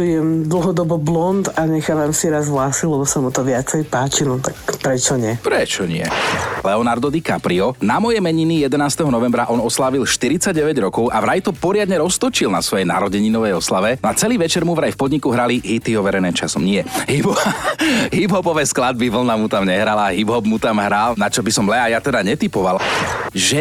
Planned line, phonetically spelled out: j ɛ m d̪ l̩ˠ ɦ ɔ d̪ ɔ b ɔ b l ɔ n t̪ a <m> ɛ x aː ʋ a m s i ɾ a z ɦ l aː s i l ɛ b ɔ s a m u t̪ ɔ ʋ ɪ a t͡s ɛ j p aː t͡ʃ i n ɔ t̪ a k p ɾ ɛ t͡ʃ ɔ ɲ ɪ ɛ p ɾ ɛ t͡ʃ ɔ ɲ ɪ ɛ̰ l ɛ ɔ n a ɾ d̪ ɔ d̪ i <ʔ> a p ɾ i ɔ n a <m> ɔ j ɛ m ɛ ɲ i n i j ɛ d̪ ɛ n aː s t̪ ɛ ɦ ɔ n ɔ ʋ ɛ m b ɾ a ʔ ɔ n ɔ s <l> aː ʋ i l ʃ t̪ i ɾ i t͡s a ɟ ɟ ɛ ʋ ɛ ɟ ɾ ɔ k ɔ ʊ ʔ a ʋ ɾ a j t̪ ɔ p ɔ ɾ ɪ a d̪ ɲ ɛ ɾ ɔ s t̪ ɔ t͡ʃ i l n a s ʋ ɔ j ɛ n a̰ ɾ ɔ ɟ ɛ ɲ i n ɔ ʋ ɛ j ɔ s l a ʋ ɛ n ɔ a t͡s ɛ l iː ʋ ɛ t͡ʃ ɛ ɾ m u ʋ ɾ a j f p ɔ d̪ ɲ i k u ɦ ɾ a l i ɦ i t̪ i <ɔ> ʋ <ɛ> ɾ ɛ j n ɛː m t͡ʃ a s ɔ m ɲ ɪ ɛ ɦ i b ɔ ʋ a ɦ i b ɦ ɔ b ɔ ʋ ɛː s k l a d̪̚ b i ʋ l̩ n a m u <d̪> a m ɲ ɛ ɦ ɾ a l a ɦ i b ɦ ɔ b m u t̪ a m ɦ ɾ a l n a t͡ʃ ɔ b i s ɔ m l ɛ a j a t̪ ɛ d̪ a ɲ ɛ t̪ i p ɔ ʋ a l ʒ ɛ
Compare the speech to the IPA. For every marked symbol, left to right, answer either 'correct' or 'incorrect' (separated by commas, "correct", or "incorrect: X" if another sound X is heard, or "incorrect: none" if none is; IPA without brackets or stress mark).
incorrect: ɲ, incorrect: k, correct, correct, correct, correct, incorrect: t̪